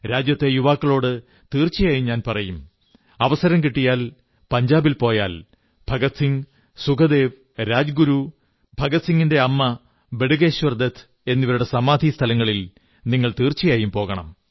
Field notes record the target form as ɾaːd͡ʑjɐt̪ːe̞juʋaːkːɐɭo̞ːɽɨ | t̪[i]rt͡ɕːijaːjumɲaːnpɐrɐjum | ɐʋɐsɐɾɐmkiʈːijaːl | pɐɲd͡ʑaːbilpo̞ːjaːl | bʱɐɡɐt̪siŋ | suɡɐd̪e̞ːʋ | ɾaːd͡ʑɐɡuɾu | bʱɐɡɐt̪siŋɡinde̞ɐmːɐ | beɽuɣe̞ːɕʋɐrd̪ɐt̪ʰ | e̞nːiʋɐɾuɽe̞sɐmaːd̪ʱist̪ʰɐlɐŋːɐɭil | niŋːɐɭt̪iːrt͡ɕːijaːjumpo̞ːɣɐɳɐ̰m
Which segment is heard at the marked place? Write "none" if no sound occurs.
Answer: iː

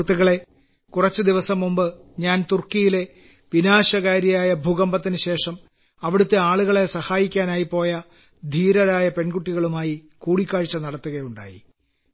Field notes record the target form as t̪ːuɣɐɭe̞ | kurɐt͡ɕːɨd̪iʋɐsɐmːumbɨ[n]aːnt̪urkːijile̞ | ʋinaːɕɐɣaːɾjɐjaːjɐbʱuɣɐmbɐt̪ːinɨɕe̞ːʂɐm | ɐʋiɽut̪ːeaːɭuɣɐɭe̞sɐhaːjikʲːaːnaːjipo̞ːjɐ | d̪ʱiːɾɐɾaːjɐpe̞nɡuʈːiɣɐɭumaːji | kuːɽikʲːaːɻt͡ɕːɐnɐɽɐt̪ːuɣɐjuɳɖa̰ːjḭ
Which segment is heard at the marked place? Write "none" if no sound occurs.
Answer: ɲ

